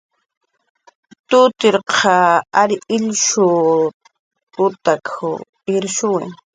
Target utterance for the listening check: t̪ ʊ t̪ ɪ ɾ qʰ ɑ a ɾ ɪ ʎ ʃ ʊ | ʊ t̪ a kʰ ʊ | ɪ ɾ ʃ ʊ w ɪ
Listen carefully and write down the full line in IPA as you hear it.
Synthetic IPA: t̪ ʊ t̪ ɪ ɾ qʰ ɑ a ɾ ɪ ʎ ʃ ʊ | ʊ t̪ a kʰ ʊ | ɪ ɾ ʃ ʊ w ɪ